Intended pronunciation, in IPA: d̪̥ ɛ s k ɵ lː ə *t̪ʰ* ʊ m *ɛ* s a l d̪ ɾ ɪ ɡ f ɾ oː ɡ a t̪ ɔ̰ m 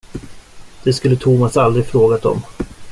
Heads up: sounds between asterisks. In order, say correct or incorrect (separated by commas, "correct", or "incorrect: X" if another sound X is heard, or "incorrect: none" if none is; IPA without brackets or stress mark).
correct, incorrect: a